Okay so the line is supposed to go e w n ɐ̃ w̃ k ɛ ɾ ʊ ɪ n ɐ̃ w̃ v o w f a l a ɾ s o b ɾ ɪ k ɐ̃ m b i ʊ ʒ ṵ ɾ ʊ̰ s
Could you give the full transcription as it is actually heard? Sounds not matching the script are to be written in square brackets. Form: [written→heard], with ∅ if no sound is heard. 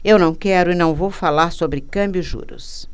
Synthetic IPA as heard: e w n ɐ̃ w̃ k ɛ ɾ ʊ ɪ n ɐ̃ w̃ v o w f a l a ɾ s o b ɾ ɪ k ɐ̃ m b [i→j] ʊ ʒ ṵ ɾ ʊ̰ s